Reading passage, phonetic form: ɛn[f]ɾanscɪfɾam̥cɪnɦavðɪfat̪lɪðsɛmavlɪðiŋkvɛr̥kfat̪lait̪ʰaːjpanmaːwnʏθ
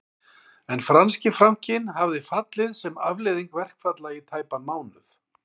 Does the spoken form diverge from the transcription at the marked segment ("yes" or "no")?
no